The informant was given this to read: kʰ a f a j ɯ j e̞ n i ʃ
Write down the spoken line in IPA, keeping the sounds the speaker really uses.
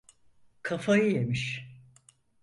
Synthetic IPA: kʰ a f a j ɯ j e̞ m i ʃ